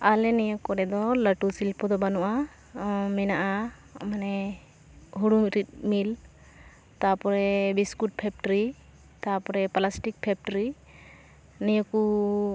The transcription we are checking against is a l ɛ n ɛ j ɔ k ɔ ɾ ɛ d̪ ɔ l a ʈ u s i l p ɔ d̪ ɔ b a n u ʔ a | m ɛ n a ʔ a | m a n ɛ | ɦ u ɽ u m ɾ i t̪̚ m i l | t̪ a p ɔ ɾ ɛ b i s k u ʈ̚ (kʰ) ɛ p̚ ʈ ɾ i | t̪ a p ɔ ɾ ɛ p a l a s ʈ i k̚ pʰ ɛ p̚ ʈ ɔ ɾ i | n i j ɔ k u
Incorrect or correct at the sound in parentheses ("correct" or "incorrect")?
incorrect